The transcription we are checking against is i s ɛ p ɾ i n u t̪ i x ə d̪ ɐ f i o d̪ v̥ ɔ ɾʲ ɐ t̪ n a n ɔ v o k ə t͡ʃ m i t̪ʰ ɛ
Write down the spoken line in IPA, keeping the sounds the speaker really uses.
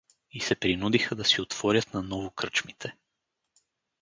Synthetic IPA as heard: i s ɛ p ɾ i n u d̪ i x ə d̪ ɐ s i o t̪ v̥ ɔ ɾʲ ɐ t̪ n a n ɔ v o k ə t͡ʃ m i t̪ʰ ɛ

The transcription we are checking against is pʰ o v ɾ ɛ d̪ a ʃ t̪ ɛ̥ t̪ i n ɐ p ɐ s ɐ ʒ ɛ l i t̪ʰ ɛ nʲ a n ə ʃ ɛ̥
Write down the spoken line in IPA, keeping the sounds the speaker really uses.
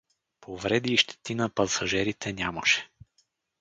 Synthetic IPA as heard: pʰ o v ɾ ɛ d̪ i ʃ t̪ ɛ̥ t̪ i n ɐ p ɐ s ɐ ʒ ɛ ɾ i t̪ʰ ɛ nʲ a m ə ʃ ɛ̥

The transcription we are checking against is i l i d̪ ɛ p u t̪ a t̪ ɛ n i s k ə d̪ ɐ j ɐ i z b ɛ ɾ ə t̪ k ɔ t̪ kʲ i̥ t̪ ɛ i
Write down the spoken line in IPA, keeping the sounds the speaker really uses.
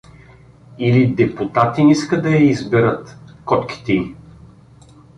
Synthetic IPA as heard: i l i d̪ ɛ p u t̪ a t̪ i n i s k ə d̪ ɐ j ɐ i z b ɛ ɾ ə t̪ k ɔ t̪ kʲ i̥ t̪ ɛ i

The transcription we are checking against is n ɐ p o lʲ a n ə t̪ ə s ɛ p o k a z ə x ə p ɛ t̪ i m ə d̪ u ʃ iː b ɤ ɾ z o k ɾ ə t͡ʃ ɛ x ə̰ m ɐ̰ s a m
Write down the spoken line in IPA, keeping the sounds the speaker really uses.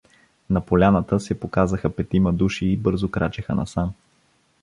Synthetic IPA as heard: n ɐ p o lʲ a n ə t̪ ə s ɛ p o k a z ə x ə p ɛ t̪ i m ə d̪ u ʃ iː b ɤ ɾ z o k ɾ a t͡ʃ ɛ x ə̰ n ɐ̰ s a m

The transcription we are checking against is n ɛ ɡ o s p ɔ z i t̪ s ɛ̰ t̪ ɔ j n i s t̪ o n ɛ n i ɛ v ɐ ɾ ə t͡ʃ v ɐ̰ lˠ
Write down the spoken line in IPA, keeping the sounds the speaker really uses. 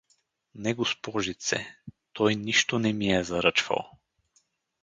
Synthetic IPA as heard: n ɛ ɡ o s p ɔ ʒ i t̪ s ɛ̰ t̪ ɔ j n i ʃ t̪ o n ɛ m i ɛ z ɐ ɾ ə t͡ʃ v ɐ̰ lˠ

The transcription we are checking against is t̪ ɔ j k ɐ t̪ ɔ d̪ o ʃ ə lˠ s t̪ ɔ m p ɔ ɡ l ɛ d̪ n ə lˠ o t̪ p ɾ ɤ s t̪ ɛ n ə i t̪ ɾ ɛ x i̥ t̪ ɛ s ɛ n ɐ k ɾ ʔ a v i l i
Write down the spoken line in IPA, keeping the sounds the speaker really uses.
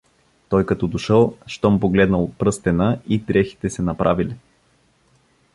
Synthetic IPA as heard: t̪ ɔ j k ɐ t̪ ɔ d̪ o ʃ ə lˠ ʃ t̪ ɔ m p o ɡ l ɛ d̪ n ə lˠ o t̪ p ɾ ɤ s t̪ ɛ n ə i t̪ ɾ ɛ x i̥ t̪ ɛ s ɛ n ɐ p ɾ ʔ a v i l i

